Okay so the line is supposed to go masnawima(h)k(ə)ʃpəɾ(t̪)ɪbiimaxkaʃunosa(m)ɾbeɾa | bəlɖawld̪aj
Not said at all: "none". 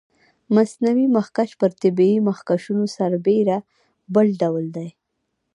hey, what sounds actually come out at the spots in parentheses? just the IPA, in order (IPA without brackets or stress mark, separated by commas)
x, a, t̪, none